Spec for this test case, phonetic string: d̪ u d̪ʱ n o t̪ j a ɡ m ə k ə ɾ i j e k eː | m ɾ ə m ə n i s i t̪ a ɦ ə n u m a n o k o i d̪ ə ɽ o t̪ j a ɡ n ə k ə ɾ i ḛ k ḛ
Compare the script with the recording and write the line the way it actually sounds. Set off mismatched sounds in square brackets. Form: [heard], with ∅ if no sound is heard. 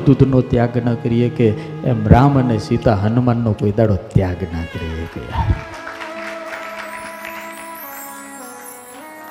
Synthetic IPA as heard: d̪ u d̪ʱ n o t̪ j a ɡ [n] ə k ə ɾ i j e k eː | m ɾ [a] m ə n [e] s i t̪ a ɦ ə n u m a [nː] o k o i d̪ [a] ɽ o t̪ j a ɡ n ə k ə ɾ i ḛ k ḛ